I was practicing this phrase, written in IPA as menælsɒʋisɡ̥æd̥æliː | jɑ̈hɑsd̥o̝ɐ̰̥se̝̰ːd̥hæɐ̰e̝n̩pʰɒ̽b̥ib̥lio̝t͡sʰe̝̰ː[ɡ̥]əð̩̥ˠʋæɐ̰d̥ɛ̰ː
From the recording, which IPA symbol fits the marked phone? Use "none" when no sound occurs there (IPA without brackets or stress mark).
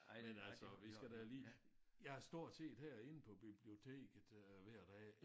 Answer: ɡ̥